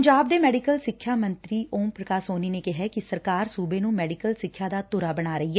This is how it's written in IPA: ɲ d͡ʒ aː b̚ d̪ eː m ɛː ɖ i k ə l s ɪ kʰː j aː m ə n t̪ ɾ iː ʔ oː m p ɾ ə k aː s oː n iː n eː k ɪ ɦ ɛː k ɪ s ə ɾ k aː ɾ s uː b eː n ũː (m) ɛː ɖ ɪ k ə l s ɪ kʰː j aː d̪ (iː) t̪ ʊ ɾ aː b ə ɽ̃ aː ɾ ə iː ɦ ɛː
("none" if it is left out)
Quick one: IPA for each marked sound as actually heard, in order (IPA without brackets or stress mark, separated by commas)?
m, aː